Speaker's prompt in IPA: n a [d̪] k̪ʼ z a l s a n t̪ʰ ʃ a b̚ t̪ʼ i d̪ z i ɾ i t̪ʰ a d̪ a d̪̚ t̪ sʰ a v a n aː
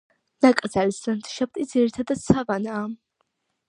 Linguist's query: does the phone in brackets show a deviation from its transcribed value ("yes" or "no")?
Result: yes